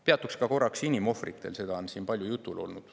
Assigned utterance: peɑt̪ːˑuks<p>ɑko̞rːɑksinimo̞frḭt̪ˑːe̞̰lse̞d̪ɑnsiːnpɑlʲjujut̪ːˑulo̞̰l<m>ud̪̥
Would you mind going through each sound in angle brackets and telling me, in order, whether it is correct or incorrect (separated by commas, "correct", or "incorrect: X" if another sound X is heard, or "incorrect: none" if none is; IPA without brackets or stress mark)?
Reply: incorrect: k, incorrect: n